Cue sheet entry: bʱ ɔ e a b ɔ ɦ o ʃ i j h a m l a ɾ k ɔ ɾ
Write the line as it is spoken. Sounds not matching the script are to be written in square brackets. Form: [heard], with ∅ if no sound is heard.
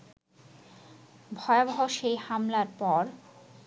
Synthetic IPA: bʱ ɔ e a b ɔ ɦ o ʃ [e] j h a m l a ɾ [p] ɔ ɾ

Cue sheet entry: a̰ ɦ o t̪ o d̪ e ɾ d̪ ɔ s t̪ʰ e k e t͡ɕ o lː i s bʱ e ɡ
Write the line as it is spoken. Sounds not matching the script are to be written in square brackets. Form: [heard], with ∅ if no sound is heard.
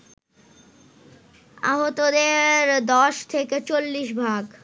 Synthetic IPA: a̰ ɦ o t̪ o d̪ e ɾ d̪ ɔ [ʃ] t̪ʰ e k e t͡ɕ o lː i [ʃ] bʱ [a] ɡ

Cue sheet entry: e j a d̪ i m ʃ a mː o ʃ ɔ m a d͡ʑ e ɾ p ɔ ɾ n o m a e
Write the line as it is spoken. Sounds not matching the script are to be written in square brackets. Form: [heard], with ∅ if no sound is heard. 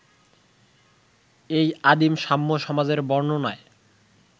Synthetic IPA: e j a d̪ i m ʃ a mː o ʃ ɔ m a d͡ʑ e ɾ [b] ɔ ɾ n o [n] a e

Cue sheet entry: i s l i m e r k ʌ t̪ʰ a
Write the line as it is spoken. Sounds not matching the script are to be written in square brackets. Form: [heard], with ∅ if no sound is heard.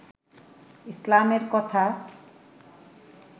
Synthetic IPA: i s l [a] m e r k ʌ t̪ʰ a

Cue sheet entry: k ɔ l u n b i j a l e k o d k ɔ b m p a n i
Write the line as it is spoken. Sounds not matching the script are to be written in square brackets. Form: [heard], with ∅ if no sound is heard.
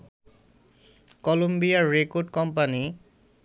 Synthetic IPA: k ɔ l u [m] b i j a [ɹ] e k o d k ɔ [∅] m p a n i

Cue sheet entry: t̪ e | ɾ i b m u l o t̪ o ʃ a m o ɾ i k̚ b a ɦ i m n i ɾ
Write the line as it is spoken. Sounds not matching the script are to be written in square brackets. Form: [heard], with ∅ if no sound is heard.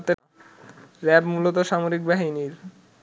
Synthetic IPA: t̪ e | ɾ [ɛ] b m u l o t̪ o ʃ a m o ɾ i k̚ b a ɦ i [∅] n i ɾ

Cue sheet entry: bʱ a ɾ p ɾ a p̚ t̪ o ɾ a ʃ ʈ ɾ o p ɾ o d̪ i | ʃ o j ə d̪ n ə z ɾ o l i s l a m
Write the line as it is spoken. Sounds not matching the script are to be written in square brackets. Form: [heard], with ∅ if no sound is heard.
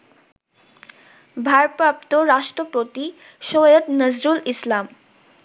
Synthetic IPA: bʱ a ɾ p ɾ a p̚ t̪ o ɾ a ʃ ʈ ɾ o p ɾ o [t̪] i | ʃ o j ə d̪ n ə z ɾ [u] l i s l a m

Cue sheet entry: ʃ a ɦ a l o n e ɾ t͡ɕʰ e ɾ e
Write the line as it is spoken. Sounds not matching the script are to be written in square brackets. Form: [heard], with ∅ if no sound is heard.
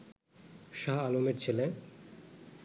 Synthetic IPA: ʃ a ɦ a l o [m] e ɾ t͡ɕʰ e [l] e

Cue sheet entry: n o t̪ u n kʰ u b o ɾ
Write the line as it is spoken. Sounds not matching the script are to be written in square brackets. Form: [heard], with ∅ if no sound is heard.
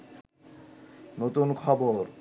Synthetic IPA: n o t̪ u n kʰ [ɔ] b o ɾ

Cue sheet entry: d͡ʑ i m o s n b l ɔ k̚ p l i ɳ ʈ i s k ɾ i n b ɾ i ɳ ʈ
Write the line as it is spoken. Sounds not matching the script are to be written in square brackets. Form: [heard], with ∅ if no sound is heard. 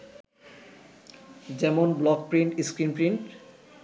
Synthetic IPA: d͡ʑ [ɛ] m o [∅] n b l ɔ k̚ p [ɾ] i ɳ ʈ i s k ɾ i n [p] ɾ i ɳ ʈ

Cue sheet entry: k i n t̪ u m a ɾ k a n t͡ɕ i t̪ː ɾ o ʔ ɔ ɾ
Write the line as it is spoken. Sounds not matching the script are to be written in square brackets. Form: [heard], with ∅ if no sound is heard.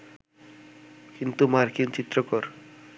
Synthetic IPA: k i n t̪ u m a ɾ k [i] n t͡ɕ i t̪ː ɾ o [k] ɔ ɾ

